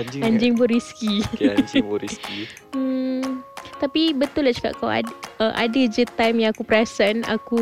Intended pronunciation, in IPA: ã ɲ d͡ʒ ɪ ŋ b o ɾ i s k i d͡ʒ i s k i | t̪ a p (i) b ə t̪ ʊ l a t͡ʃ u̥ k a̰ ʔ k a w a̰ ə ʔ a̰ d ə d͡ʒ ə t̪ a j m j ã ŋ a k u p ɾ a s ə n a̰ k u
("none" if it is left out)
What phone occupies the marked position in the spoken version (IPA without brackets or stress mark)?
i